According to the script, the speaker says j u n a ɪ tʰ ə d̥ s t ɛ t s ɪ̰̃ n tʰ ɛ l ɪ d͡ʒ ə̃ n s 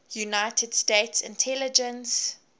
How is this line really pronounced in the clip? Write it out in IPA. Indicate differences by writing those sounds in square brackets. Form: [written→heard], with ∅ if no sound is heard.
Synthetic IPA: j u n a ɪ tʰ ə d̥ s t [ɛ→e] t s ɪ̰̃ n tʰ ɛ l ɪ d͡ʒ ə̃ n s